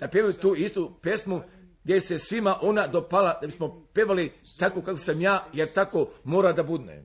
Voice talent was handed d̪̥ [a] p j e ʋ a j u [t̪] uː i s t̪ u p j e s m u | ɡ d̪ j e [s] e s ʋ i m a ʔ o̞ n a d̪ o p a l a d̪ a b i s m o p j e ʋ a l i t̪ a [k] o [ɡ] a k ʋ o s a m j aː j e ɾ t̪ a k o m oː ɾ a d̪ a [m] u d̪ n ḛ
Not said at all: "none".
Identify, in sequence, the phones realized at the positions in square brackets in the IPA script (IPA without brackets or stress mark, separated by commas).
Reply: a, t̪, s, k, k, b